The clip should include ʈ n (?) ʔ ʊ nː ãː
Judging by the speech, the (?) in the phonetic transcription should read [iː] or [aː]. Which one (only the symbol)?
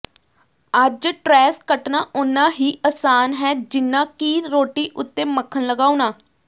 aː